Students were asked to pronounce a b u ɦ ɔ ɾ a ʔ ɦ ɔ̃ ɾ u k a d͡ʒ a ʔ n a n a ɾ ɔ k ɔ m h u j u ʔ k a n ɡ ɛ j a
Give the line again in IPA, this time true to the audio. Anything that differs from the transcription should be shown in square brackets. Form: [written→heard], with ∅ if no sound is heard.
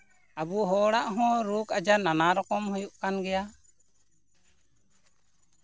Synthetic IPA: a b u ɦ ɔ [ɾ→ɽ] a ʔ ɦ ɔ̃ ɾ u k a d͡ʒ a [ʔ→∅] n a n a ɾ ɔ k ɔ m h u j u ʔ k a n ɡ ɛ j a